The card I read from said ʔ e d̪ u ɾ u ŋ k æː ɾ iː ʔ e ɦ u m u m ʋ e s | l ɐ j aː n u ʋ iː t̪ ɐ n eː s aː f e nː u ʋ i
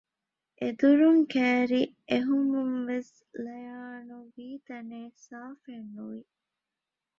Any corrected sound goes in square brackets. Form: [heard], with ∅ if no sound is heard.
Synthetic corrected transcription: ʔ e d̪ u ɾ u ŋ k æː ɾ [i] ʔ e ɦ u m u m ʋ e s | l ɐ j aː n u ʋ iː t̪ ɐ n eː s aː f e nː u ʋ i